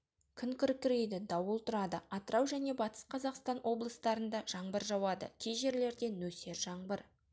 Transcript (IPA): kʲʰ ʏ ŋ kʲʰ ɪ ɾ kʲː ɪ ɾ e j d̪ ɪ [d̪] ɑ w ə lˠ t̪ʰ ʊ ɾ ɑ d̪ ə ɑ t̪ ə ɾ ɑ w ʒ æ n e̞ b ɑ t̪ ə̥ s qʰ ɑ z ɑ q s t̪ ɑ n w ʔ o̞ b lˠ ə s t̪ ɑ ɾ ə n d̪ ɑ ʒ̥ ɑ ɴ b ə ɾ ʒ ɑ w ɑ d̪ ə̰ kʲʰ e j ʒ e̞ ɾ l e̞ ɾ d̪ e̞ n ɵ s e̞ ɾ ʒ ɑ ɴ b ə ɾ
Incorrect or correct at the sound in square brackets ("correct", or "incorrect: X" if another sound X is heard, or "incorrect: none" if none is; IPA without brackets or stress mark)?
correct